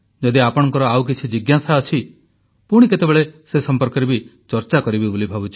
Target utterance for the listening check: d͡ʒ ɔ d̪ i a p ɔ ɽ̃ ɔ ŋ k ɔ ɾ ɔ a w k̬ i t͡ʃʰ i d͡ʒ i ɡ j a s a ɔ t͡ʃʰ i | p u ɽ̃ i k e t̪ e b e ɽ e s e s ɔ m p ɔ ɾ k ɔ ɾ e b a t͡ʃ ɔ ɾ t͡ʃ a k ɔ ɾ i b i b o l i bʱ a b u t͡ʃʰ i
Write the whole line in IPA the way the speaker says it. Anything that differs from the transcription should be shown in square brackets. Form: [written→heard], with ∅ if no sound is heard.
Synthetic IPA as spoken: d͡ʒ ɔ d̪ i a p ɔ ɽ̃ ɔ ŋ k ɔ ɾ ɔ a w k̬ i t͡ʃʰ i d͡ʒ i ɡ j a s a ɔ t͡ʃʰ i | p u ɽ̃ i k e t̪ e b e [ɽ→ɭ] e s e s ɔ m p ɔ ɾ k ɔ ɾ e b [a→i] t͡ʃ ɔ ɾ t͡ʃ a k ɔ ɾ i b i b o l i bʱ a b u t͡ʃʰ i